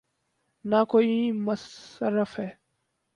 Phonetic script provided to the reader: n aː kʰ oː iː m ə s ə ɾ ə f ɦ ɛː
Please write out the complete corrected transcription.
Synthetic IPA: n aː k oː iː m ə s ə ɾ ə f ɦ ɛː